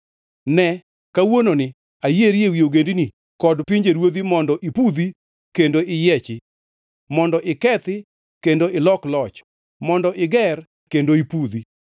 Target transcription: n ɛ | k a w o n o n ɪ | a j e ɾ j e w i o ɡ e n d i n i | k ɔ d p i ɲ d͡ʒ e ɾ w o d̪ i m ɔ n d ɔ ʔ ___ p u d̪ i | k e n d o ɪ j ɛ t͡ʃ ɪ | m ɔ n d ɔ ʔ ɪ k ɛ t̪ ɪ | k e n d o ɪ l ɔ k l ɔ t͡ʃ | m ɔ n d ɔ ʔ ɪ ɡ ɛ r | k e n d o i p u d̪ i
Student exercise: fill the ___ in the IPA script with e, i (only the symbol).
i